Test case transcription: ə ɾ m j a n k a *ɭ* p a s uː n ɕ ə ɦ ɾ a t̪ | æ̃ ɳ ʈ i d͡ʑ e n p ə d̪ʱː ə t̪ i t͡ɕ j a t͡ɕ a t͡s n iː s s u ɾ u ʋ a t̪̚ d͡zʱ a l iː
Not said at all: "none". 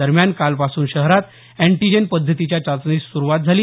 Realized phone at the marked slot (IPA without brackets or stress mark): l